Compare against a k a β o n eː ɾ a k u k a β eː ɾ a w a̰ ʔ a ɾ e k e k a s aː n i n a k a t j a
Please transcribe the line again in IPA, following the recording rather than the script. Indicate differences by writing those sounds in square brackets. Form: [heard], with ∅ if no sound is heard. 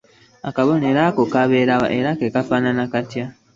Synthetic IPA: a k a β o n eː ɾ a k [o] k a β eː ɾ a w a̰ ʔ [e] ɾ [a] k e k a [f] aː n [a] n a k a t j a